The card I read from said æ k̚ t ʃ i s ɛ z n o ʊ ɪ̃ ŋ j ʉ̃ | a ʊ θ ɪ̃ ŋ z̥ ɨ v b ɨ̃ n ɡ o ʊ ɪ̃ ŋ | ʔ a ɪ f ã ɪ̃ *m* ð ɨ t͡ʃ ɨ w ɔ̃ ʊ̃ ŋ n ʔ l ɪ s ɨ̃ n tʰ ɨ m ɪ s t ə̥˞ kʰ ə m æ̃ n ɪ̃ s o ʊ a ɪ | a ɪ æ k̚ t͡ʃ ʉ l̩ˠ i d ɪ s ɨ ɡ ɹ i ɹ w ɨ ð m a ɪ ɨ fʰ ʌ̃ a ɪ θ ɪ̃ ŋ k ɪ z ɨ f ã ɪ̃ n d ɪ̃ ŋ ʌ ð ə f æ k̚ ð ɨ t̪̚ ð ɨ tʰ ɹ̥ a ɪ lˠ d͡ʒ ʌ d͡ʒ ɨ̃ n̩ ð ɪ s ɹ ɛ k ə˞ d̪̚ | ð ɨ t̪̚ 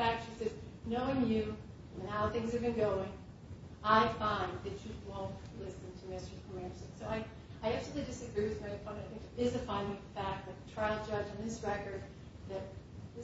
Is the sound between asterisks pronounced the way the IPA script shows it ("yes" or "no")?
no